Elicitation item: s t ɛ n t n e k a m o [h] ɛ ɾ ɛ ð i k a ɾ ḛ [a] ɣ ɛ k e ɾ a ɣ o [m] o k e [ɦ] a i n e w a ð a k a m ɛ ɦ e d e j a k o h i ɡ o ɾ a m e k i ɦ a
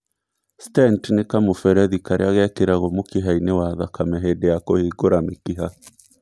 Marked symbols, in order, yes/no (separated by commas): no, yes, yes, yes